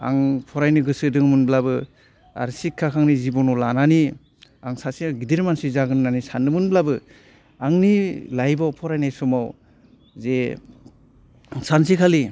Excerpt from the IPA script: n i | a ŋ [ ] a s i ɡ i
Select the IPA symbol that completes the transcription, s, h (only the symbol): s